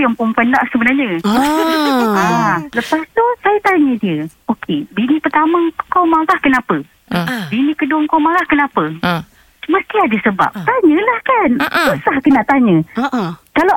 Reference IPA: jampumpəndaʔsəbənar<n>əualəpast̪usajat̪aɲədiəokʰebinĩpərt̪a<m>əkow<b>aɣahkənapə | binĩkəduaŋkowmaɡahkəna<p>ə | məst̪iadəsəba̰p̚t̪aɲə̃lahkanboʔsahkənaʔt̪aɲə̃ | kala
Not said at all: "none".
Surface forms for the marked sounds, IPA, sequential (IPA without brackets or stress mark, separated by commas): ɲ, m, m, p